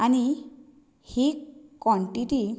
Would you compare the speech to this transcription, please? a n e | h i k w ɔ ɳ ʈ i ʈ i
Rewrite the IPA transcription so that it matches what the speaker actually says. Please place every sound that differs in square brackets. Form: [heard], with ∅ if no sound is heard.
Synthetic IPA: a n [i] | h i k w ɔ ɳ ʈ i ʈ i